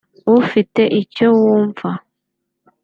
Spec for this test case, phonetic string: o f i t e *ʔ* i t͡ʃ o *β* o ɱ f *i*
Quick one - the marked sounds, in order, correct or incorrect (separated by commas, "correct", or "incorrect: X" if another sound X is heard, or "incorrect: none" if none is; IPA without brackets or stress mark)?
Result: correct, incorrect: w, incorrect: a